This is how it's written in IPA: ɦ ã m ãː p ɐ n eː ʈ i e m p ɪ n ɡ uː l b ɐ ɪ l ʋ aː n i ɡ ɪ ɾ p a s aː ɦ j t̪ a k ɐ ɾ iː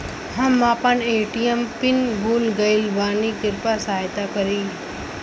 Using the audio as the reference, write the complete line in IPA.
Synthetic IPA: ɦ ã m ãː p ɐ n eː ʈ i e m p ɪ n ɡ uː l ɡ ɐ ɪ l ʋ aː n i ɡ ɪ ɾ p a s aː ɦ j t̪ a k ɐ ɾ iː